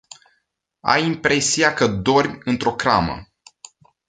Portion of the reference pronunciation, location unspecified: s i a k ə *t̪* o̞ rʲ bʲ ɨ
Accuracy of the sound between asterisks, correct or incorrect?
incorrect: d̪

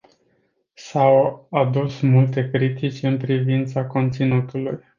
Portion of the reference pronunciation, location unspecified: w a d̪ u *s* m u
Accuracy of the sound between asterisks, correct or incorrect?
correct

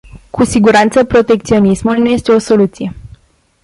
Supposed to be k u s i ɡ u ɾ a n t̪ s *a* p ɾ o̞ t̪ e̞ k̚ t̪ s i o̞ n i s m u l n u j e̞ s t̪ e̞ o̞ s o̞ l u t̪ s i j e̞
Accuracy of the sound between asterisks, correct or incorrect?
incorrect: ə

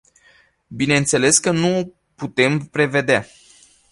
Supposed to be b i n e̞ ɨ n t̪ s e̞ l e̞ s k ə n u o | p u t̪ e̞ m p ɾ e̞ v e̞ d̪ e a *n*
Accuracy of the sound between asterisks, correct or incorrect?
incorrect: none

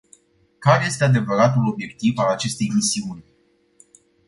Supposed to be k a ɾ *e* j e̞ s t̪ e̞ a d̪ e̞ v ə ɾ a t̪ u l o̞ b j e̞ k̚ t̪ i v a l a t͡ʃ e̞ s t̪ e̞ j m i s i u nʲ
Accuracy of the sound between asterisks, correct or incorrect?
correct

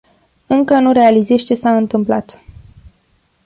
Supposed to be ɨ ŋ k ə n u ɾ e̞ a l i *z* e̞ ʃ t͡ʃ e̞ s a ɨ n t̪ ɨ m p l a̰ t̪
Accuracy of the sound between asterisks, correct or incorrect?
correct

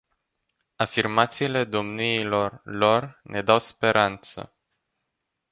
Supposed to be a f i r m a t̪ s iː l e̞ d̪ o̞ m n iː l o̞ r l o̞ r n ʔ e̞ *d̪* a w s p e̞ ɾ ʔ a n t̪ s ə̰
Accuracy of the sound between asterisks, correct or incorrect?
correct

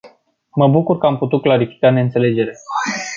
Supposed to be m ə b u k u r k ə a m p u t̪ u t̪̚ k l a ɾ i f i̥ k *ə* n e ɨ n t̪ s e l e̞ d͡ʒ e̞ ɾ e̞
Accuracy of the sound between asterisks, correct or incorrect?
incorrect: a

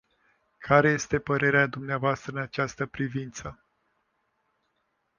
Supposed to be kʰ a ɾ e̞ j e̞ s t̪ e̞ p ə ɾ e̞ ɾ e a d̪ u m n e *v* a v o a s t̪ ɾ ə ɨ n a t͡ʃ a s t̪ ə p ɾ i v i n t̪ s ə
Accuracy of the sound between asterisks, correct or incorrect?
incorrect: none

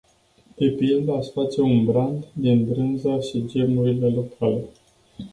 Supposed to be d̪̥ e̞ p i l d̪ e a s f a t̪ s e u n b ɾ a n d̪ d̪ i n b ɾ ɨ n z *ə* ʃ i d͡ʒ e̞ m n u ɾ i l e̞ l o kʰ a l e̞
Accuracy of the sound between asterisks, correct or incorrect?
incorrect: a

